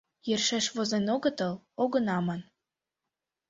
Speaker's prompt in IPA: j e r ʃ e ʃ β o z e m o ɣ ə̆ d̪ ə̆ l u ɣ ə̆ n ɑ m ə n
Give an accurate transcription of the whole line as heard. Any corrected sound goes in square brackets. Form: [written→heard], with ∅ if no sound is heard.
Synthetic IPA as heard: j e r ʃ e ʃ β o z e [m→n] o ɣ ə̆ [d̪→t̪] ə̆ l [u→o] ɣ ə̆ n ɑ m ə n